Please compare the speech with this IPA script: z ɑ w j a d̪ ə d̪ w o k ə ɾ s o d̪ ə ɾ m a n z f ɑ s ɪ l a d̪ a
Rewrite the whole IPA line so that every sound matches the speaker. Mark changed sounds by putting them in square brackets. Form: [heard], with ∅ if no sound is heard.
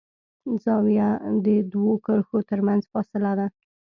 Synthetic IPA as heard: z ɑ w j a d̪ ə d̪ w o k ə ɾ [x] o [t̪] ə ɾ m a n z f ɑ s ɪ l a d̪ a